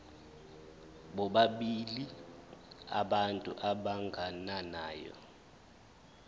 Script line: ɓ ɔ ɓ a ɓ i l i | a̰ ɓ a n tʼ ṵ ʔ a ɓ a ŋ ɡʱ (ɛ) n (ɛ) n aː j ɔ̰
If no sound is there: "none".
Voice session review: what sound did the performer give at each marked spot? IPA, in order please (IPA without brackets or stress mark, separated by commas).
a, a